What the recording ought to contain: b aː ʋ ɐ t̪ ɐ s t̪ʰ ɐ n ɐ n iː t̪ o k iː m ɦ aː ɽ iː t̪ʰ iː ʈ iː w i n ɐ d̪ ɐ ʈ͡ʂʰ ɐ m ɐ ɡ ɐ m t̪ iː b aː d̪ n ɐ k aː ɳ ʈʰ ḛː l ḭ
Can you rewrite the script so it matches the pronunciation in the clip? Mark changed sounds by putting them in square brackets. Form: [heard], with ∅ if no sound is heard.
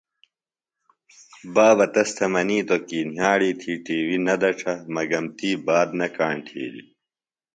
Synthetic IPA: b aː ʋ ɐ t̪ ɐ s t̪ʰ ɐ [m] ɐ n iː t̪ o k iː [n] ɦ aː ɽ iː t̪ʰ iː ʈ iː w i n ɐ d̪ ɐ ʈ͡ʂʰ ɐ m ɐ ɡ ɐ m t̪ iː b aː d̪ n ɐ k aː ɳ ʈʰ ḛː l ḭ